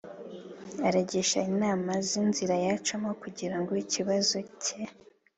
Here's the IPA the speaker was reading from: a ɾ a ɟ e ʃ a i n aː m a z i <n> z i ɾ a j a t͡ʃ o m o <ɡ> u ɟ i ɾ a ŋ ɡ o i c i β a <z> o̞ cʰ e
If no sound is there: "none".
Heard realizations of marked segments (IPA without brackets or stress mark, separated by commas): n, k, z